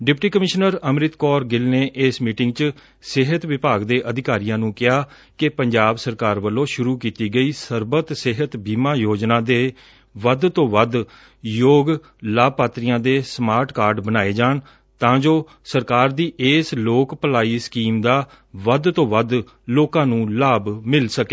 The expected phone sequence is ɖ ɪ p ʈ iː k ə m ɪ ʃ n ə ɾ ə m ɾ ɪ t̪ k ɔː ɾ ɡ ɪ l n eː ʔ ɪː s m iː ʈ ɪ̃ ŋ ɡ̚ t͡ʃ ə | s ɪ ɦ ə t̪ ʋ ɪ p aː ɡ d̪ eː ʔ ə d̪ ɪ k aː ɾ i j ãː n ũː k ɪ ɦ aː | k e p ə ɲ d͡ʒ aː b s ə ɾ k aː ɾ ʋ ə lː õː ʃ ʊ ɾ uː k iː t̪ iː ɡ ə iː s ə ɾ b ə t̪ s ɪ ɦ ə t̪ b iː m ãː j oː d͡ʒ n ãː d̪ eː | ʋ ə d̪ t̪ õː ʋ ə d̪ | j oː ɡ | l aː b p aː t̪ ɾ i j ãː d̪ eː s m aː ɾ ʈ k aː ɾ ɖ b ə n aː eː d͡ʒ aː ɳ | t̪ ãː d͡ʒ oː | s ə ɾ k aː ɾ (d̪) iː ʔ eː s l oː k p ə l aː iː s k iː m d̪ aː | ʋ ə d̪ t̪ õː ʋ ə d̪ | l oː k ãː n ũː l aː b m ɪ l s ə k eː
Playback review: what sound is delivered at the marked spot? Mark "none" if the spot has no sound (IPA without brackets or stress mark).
d̪